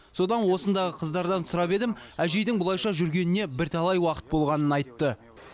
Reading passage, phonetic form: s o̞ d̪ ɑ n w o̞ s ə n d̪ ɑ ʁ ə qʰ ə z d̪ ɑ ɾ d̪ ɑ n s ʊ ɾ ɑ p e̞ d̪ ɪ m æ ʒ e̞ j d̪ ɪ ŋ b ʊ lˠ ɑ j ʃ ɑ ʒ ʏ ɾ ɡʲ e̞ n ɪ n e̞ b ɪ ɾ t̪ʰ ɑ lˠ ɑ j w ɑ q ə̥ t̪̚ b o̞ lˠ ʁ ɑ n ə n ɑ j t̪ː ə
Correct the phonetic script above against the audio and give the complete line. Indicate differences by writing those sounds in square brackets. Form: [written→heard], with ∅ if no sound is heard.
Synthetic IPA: s o̞ d̪ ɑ n w o̞ s ə n d̪ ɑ ʁ ə qʰ ə z d̪ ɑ ɾ d̪ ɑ n s ʊ ɾ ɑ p e̞ d̪ ɪ m æ ʒ e̞ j d̪ ɪ ŋ b ʊ lˠ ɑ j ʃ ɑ ʒ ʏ ɾ ɡʲ e̞ n ɪ n e̞ b ɪ ɾ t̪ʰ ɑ lˠ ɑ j w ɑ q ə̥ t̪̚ b o̞ lˠ ʁ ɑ n ə n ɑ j t̪ː ə